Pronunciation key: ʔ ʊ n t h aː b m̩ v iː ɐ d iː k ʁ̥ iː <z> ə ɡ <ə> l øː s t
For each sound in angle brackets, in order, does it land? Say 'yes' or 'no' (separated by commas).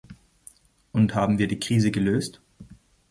yes, yes